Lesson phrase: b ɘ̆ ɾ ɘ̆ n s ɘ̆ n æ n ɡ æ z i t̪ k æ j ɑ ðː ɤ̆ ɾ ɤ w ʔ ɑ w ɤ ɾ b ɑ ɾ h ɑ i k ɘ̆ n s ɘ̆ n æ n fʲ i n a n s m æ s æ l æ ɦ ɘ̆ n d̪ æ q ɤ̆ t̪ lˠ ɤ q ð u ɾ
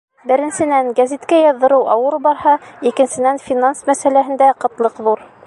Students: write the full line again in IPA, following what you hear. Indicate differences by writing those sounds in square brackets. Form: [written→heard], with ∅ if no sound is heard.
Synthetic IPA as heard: b ɘ̆ ɾ ɘ̆ n s ɘ̆ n æ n ɡ æ z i t̪ k æ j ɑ ðː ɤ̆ ɾ ɤ w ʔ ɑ w ɤ ɾ b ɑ ɾ h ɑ i k ɘ̆ n s ɘ̆ n æ n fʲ i n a n s m æ s æ l æ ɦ ɘ̆ n d̪ æ q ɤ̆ t̪ lˠ ɤ q ð u ɾ

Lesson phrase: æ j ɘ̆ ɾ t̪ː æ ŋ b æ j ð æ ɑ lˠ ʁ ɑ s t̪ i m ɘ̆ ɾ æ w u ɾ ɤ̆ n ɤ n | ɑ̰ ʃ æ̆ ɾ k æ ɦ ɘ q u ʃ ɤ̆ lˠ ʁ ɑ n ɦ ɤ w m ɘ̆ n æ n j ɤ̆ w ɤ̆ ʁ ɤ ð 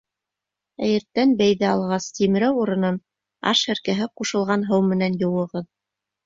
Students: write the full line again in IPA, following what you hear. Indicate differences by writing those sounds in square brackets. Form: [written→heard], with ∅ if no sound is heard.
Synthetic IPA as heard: æ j ɘ̆ ɾ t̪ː æ [ŋ→n] b æ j ð æ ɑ lˠ ʁ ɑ s t̪ i m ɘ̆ ɾ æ w u ɾ ɤ̆ n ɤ n | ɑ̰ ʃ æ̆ ɾ k æ ɦ ɘ q u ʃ ɤ̆ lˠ ʁ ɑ n ɦ ɤ w m ɘ̆ n æ n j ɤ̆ w ɤ̆ ʁ ɤ ð

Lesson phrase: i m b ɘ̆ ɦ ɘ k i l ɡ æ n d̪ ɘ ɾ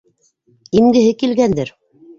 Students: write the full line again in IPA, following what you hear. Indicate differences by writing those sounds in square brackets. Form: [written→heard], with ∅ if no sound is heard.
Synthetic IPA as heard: i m [b→ɡ] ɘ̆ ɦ ɘ k i l ɡ æ n d̪ ɘ ɾ

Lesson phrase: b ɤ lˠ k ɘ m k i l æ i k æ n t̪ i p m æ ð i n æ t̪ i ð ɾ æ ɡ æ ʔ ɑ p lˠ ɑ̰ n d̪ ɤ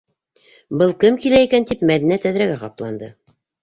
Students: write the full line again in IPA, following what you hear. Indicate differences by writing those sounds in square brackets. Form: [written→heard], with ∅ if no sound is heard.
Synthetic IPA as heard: b ɤ lˠ k ɘ m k i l æ i k æ n t̪ i p m æ ð i n æ t̪ [i→æ] ð ɾ æ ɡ æ [ʔ→q] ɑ p lˠ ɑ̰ n d̪ ɤ

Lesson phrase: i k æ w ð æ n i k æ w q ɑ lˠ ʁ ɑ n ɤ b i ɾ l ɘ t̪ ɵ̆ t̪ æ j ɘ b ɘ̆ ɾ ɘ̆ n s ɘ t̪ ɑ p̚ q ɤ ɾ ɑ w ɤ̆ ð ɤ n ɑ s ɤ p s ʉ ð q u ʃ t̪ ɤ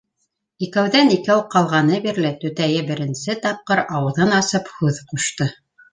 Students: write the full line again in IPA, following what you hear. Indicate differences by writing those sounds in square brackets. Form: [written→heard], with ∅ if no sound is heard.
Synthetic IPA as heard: i k æ w ð æ n i k æ w q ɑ lˠ ʁ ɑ n ɤ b i ɾ l ɘ t̪ ɵ̆ t̪ æ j ɘ b ɘ̆ ɾ ɘ̆ n s ɘ t̪ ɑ p̚ q ɤ ɾ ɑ w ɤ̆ ð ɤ n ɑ s ɤ p [s→h] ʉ ð q u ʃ t̪ ɤ

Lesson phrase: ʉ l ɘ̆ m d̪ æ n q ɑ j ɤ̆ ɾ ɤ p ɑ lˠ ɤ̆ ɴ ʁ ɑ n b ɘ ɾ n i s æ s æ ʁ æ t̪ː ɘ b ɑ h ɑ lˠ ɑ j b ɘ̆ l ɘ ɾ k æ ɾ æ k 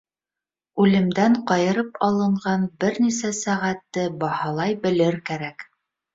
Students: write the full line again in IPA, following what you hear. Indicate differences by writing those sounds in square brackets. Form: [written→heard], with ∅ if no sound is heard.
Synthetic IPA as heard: ʉ l ɘ̆ m d̪ æ [n→ɴ] q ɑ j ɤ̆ ɾ ɤ p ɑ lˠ ɤ̆ ɴ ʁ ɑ n b ɘ ɾ n i s æ s æ ʁ æ t̪ː ɘ b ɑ h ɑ lˠ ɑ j b ɘ̆ l ɘ ɾ k æ ɾ æ k

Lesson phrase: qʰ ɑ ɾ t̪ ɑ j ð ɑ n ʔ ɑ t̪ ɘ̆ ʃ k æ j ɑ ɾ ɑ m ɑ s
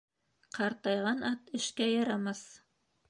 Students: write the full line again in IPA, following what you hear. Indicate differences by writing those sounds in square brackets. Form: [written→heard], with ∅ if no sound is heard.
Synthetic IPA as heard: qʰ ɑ ɾ t̪ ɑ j [ð→ʁ] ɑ n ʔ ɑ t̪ ɘ̆ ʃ k æ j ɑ ɾ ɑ m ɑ s

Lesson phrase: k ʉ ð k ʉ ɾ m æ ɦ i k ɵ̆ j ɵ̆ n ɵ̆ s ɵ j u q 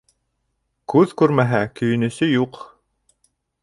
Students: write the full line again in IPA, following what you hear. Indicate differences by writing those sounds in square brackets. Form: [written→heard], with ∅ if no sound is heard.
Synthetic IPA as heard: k ʉ ð k ʉ ɾ m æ ɦ [i→æ] k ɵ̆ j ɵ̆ n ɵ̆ s ɵ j u q

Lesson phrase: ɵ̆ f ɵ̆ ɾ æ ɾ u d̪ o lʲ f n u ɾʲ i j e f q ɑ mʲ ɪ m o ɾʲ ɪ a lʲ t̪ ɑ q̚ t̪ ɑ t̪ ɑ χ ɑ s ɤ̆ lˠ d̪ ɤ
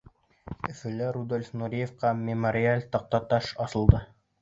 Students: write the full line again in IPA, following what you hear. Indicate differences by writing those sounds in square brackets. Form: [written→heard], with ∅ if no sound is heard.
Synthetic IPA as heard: ɵ̆ f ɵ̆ [ɾ→l] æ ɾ u d̪ o lʲ f n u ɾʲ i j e f q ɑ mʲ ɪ m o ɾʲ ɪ a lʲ t̪ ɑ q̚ t̪ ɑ t̪ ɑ [χ→ʃ] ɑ s ɤ̆ lˠ d̪ ɤ

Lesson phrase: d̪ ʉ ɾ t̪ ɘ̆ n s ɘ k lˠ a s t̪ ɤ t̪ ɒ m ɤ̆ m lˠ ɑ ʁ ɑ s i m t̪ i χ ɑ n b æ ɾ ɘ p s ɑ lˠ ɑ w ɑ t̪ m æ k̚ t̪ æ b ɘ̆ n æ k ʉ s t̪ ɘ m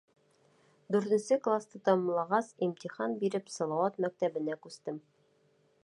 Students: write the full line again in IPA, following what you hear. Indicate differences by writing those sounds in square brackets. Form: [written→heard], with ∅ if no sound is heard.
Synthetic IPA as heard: d̪ ʉ ɾ t̪ ɘ̆ n s ɘ k lˠ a s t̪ ɤ t̪ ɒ m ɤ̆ m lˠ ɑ ʁ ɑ s i m t̪ i χ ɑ n b [æ→i] ɾ ɘ p s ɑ lˠ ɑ w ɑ t̪ m æ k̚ t̪ æ b ɘ̆ n æ k ʉ s t̪ ɘ m

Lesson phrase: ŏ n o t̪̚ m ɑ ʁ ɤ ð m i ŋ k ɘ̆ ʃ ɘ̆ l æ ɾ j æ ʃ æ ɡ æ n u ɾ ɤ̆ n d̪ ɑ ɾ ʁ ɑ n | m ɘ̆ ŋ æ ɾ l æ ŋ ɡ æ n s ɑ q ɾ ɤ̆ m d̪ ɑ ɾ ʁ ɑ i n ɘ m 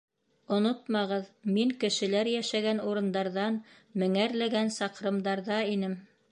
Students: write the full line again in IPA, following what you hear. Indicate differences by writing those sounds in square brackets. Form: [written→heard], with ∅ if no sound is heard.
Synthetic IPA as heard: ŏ n o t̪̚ m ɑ ʁ ɤ ð m i ŋ k ɘ̆ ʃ ɘ̆ l æ ɾ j æ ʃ æ ɡ æ n u ɾ ɤ̆ n d̪ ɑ ɾ [ʁ→ð] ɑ n | m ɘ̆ ŋ æ ɾ l æ [ŋ→∅] ɡ æ n s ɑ q ɾ ɤ̆ m d̪ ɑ ɾ [ʁ→ð] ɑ i n ɘ m

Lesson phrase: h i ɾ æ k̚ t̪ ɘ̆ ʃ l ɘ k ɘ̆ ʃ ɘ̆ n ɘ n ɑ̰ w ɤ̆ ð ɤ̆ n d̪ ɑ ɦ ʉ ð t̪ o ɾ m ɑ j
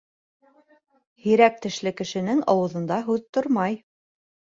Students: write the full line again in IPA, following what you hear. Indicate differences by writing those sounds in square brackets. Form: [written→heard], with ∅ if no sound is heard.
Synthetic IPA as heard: h i ɾ æ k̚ t̪ ɘ̆ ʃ l ɘ k ɘ̆ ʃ ɘ̆ n ɘ [n→ŋ] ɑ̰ w ɤ̆ ð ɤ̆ n d̪ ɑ ɦ ʉ ð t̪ o ɾ m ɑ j

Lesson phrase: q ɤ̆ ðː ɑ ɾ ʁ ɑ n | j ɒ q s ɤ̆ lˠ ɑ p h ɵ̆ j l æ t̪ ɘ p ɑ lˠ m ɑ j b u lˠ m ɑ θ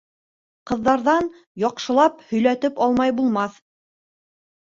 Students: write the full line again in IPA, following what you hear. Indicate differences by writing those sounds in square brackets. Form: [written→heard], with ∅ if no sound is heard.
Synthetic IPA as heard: q ɤ̆ ðː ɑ ɾ [ʁ→ð] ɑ n | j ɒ q [s→ʃ] ɤ̆ lˠ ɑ p h ɵ̆ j l æ t̪ ɘ p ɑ lˠ m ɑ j b u lˠ m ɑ θ

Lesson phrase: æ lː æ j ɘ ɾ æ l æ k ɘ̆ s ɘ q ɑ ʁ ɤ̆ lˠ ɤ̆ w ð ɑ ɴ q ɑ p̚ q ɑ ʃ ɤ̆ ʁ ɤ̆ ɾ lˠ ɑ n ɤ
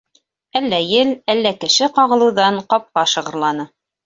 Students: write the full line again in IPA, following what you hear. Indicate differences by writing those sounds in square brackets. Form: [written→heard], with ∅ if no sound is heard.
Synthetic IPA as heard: æ lː æ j ɘ [ɾ→l] æ [l→lː] æ k ɘ̆ [s→ʃ] ɘ q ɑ ʁ ɤ̆ lˠ ɤ̆ w ð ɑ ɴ q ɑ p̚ q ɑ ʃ ɤ̆ ʁ ɤ̆ ɾ lˠ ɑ n ɤ

